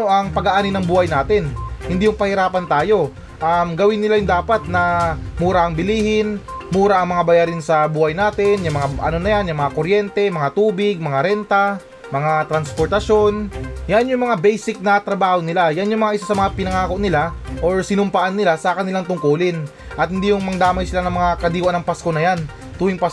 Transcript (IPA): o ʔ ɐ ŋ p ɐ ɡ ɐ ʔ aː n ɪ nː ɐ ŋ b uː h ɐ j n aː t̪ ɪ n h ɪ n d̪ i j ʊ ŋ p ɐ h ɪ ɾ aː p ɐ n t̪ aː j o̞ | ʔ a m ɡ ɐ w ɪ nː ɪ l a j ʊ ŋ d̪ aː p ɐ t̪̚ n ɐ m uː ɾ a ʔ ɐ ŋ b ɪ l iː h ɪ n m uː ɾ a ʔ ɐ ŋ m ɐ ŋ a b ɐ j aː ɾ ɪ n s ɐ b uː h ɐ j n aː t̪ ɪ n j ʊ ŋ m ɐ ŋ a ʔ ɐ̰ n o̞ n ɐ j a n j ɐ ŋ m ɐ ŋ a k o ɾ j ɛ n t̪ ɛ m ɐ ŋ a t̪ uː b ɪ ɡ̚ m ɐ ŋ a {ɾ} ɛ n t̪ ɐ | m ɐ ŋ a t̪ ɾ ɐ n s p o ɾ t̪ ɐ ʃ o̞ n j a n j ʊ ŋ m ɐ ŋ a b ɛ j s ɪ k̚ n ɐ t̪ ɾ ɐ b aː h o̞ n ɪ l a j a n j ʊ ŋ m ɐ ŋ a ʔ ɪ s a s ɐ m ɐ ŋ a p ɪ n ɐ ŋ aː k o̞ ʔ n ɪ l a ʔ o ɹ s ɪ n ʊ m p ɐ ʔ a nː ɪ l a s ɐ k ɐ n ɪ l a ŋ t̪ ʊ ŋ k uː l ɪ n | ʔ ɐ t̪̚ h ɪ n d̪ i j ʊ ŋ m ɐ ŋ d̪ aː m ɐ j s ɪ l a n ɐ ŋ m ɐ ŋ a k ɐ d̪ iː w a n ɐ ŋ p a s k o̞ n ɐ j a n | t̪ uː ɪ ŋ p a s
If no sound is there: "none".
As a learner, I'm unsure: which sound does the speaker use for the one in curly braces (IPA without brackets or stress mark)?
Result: ɾ